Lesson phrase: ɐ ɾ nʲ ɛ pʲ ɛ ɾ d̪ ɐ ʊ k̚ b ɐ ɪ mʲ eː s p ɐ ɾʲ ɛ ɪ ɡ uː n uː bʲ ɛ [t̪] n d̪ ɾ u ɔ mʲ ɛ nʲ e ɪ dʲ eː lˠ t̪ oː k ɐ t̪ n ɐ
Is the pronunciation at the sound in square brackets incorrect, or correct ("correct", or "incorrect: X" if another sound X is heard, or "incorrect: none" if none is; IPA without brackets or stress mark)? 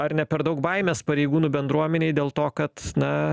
incorrect: none